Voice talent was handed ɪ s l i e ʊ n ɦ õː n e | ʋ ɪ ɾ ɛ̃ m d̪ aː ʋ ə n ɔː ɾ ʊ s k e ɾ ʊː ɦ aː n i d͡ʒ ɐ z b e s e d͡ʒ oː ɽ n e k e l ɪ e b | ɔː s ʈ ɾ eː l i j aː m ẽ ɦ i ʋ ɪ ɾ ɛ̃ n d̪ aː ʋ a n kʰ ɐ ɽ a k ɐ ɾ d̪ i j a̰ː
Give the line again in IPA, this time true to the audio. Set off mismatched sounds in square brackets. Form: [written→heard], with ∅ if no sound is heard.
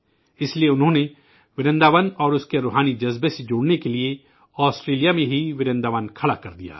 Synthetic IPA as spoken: ɪ s l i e ʊ n ɦ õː n e | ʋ ɪ ɾ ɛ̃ [m→n] d̪ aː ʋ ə n ɔː ɾ ʊ s k e ɾ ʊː ɦ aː n i d͡ʒ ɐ z b e s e d͡ʒ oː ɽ n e k e l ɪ e [b→∅] | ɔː s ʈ ɾ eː l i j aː m ẽ ɦ i ʋ ɪ ɾ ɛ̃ n d̪ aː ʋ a n kʰ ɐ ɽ a k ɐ ɾ d̪ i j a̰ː